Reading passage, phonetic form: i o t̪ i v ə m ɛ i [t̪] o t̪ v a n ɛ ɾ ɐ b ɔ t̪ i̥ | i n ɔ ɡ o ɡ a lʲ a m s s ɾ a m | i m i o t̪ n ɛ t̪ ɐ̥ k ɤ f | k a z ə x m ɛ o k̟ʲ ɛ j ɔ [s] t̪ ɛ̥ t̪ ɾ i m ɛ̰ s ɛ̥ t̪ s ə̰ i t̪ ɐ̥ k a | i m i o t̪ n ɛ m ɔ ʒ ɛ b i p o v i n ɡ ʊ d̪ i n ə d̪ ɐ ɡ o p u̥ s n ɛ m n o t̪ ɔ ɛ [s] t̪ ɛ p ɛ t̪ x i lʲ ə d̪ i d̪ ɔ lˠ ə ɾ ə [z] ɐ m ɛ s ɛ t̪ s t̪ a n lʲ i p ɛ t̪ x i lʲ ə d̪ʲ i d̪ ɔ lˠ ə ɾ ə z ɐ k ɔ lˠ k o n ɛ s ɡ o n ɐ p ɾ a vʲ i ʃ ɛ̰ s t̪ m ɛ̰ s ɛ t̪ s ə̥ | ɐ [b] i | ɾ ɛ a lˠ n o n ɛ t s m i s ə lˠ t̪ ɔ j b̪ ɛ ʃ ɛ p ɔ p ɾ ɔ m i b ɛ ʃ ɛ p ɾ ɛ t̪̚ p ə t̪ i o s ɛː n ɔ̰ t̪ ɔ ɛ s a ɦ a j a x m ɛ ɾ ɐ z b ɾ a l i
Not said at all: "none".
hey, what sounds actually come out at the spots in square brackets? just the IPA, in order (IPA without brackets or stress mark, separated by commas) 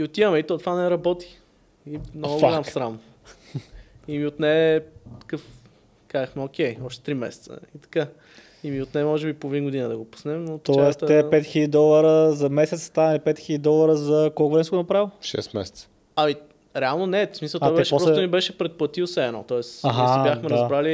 t̪, ʃ, s, z, m